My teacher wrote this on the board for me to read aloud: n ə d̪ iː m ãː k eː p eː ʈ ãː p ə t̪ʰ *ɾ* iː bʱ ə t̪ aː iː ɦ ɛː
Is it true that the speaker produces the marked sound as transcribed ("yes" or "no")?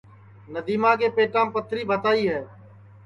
yes